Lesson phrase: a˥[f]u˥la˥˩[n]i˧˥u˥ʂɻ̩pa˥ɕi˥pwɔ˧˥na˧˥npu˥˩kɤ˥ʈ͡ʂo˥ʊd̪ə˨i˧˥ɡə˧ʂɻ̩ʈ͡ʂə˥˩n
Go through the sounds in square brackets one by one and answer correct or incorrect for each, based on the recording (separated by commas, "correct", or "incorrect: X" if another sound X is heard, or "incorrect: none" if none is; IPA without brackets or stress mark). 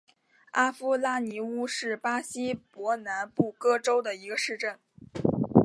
correct, correct